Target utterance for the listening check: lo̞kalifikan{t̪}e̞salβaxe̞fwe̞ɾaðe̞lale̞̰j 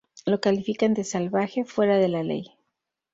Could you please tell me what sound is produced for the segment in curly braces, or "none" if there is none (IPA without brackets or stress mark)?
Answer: d̪